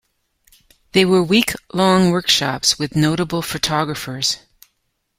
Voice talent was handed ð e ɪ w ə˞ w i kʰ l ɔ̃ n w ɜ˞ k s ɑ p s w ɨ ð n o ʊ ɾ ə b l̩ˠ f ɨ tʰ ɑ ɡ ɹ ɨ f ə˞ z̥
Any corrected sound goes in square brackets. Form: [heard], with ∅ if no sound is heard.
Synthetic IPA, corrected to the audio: ð e ɪ w ə˞ w i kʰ l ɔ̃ [ŋ] w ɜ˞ k [ʃ] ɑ p s w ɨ ð n o ʊ ɾ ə b l̩ˠ f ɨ tʰ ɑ ɡ ɹ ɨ f ə˞ z̥